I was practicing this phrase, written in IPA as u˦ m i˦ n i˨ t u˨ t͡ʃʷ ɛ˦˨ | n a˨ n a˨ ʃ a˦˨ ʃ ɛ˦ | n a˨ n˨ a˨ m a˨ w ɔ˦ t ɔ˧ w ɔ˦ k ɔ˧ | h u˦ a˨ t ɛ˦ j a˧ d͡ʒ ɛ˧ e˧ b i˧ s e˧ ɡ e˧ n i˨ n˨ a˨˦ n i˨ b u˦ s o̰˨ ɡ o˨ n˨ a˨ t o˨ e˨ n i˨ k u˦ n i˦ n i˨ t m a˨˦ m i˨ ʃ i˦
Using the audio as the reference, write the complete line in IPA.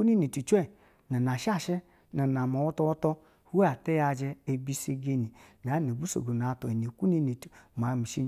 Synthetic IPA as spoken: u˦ n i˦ n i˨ t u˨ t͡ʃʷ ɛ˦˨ | n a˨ n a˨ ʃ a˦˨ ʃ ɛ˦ | n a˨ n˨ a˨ m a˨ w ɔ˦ t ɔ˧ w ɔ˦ t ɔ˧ | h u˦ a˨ t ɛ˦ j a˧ d͡ʒ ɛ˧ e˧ b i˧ s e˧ ɡ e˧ n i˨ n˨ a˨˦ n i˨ b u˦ s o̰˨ ɡ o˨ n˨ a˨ t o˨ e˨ n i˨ k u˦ n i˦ n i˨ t m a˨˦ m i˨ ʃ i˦